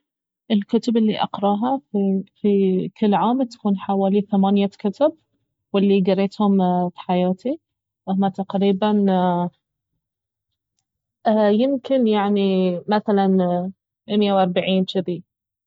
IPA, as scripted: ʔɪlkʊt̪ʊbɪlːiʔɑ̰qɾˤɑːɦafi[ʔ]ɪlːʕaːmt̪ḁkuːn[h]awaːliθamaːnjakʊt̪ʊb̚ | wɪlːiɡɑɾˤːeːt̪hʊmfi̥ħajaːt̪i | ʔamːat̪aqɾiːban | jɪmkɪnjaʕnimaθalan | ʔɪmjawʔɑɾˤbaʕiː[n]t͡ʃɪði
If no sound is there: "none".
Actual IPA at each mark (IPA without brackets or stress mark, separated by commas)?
k, ħ, n